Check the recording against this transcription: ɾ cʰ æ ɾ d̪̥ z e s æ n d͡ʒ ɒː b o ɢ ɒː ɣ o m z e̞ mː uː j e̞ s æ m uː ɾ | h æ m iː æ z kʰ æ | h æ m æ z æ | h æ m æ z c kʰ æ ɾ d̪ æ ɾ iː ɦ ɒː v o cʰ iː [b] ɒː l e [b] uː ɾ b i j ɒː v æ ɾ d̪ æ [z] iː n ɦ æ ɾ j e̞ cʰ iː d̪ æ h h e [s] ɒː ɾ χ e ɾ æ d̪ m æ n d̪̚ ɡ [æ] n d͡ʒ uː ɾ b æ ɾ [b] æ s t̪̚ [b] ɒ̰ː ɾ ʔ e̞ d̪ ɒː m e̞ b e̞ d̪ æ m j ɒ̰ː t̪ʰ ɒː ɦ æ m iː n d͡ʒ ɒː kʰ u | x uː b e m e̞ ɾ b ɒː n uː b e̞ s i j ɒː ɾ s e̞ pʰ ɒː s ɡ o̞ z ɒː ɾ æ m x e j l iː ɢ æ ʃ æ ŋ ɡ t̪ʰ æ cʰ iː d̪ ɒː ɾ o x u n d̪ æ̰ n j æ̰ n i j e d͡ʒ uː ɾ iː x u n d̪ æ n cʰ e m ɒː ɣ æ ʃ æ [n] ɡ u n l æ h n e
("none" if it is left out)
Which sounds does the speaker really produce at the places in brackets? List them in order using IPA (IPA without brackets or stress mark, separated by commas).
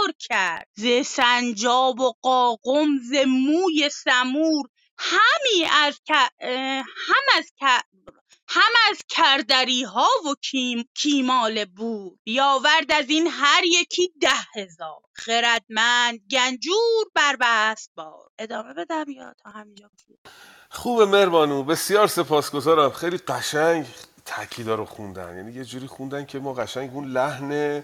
m, b, z, z, æ, b, b, ŋ